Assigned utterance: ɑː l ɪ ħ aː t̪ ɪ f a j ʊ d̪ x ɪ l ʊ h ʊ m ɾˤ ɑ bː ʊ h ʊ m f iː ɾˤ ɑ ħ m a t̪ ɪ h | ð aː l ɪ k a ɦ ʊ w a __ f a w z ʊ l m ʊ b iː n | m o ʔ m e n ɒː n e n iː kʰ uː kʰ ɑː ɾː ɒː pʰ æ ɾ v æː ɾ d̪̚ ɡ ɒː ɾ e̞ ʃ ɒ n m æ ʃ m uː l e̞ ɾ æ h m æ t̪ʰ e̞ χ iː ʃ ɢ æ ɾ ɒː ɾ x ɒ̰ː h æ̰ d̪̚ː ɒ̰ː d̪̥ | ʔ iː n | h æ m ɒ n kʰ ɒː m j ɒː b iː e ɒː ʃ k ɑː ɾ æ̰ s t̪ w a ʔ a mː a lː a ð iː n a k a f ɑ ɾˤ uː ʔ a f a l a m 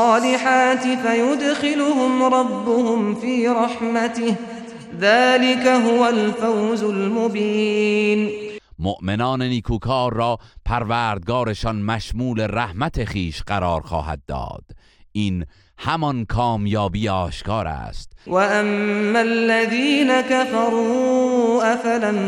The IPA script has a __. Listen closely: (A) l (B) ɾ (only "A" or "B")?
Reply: A